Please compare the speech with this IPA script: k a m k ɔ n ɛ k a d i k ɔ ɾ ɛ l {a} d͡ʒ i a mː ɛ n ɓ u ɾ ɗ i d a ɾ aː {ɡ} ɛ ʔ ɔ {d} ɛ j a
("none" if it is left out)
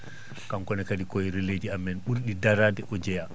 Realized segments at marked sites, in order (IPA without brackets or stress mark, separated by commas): e, d, d͡ʒ